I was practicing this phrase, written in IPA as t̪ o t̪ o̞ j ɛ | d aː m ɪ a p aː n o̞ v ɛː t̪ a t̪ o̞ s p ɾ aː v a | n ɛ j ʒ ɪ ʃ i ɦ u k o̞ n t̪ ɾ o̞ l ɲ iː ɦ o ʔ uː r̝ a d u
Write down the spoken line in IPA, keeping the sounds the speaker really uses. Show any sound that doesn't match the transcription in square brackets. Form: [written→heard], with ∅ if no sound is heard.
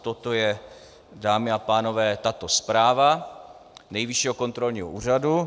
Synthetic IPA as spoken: t̪ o t̪ o̞ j ɛ | d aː m ɪ a p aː n o̞ v ɛː t̪ a t̪ o̞ s p ɾ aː v a | n ɛ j [ʒ→v] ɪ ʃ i ɦ [u→o] k o̞ n t̪ ɾ o̞ l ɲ iː ɦ o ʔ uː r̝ a d u